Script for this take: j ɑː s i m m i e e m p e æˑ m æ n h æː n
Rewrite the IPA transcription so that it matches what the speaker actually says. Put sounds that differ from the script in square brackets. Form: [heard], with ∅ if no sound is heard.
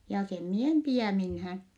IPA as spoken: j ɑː s [e] m m i e e m p [i] æˑ m [i] n h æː n